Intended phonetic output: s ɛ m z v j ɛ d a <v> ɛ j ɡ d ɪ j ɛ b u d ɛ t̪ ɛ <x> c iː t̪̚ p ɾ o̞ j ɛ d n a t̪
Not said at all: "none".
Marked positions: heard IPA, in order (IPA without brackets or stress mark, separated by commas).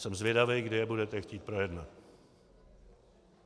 v, x